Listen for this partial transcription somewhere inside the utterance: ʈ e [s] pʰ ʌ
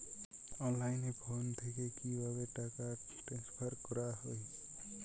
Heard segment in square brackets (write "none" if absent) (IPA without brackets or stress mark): s